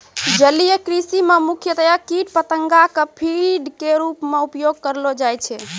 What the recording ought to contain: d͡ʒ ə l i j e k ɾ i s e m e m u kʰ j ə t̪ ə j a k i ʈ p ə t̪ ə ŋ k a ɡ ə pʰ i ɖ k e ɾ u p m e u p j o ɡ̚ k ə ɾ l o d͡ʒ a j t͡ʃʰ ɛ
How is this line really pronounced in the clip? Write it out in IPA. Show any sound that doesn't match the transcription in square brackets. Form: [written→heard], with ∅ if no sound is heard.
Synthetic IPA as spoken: d͡ʒ ə l i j e k ɾ i s [e→i] m e m u kʰ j ə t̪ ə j a k i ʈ p ə t̪ ə ŋ [k→ɡ] a [ɡ→k] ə pʰ i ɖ k e ɾ u p m e u p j o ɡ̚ k ə ɾ l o d͡ʒ a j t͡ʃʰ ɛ